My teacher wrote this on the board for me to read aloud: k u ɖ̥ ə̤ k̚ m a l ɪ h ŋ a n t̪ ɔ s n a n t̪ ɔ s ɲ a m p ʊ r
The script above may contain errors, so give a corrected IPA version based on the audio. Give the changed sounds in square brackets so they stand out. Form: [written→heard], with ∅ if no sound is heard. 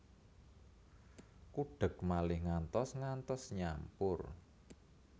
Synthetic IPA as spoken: k u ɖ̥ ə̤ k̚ m a l ɪ h ŋ a n t̪ ɔ s [n→ŋ] a n t̪ ɔ s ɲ a m p ʊ r